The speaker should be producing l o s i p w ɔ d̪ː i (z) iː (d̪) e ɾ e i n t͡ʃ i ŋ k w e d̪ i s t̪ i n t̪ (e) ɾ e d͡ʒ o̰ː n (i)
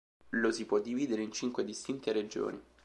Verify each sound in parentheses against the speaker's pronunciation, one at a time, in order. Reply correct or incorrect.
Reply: incorrect: v, correct, correct, correct

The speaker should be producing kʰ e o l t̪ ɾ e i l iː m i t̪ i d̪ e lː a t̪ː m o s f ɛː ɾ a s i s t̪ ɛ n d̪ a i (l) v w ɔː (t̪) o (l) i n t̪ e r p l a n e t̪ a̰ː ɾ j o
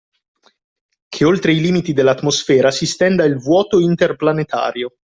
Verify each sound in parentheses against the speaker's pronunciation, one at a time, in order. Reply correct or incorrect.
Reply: correct, correct, incorrect: none

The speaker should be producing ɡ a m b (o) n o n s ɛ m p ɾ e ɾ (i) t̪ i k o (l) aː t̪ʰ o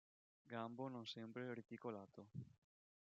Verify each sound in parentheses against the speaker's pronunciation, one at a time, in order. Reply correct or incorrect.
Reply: correct, correct, correct

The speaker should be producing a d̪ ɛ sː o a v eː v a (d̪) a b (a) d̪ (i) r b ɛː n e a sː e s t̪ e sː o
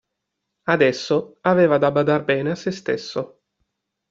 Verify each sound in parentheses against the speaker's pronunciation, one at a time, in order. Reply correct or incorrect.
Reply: correct, correct, incorrect: a

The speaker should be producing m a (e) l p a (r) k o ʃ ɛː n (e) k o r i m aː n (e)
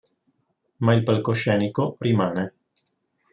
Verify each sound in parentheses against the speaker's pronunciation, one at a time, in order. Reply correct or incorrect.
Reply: incorrect: i, incorrect: l, incorrect: i, correct

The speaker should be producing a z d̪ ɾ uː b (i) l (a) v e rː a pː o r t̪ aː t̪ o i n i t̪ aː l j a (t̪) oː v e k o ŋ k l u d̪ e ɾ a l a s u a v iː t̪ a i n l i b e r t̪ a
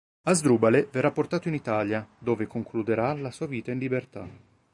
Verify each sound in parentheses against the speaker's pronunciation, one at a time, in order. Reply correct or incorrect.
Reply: incorrect: a, incorrect: e, incorrect: d̪

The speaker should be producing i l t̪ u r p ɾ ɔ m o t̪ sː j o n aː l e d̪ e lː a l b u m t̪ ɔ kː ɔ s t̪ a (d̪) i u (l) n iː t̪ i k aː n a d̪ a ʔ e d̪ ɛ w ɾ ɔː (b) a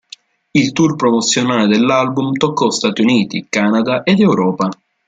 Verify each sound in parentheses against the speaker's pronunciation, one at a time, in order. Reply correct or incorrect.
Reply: incorrect: t̪, incorrect: none, incorrect: p

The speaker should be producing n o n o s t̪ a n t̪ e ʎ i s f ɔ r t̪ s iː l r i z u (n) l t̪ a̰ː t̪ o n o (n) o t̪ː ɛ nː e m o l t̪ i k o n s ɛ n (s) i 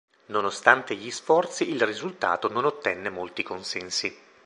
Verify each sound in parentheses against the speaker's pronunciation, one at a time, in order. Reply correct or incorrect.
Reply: incorrect: none, correct, correct

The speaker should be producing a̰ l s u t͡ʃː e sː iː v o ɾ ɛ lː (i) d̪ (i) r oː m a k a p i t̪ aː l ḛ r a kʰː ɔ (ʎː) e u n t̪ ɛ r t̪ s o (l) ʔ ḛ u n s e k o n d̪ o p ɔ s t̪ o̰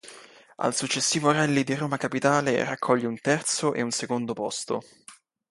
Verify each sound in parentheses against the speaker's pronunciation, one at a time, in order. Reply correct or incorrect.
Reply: correct, correct, correct, incorrect: none

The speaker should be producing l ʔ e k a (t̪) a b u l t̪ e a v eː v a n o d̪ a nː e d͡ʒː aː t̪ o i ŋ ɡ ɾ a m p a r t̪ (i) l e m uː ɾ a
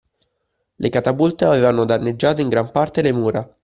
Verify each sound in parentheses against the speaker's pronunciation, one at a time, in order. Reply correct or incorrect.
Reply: correct, incorrect: e

